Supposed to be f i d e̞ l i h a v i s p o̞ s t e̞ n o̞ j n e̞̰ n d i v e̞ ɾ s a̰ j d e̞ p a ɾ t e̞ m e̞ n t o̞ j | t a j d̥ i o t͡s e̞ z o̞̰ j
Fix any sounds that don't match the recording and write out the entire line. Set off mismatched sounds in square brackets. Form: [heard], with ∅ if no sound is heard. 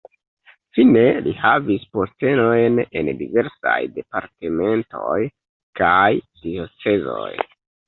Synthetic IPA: f i [n] e̞ l i h a v i s p o̞ s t e̞ n o̞ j n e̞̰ n d i v e̞ ɾ s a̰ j d e̞ p a ɾ t e̞ m e̞ n t o̞ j | [k] a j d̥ i o t͡s e̞ z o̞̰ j